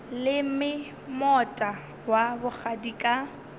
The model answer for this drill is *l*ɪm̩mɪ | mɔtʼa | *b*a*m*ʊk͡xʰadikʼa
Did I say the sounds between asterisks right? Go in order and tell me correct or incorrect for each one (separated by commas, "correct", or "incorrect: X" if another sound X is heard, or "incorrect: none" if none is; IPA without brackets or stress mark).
correct, incorrect: w, incorrect: b